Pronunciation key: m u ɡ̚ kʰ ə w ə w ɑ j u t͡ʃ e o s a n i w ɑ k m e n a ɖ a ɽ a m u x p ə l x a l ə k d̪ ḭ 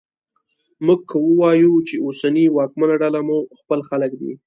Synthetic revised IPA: m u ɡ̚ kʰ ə w ə w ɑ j u t͡ʃ e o s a n i w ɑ k m a n a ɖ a l a m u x p ə l x a l ə k d̪ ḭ